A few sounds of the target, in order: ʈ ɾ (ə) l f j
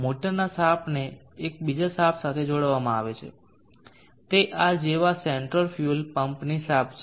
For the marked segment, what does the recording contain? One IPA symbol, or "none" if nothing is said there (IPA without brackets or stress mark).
ə